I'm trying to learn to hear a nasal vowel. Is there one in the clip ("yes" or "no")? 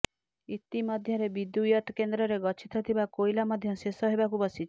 no